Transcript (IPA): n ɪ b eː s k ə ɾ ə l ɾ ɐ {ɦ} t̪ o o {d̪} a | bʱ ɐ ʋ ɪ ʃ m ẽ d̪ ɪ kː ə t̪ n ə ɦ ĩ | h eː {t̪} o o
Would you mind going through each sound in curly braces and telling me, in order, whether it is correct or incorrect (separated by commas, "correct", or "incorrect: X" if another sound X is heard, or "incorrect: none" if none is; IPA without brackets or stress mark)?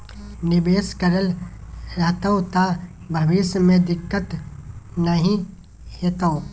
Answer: correct, incorrect: t̪, correct